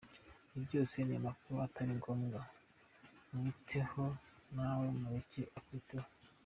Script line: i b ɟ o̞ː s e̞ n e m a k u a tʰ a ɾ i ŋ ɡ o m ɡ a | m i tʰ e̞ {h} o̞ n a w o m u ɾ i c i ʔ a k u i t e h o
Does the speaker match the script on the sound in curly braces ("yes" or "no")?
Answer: yes